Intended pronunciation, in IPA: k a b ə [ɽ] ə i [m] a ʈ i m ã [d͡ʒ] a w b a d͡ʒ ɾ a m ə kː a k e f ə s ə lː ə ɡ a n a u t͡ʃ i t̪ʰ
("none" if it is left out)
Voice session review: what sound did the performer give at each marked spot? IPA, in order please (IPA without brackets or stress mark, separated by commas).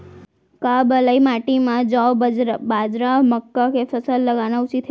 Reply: l, m, d͡ʒ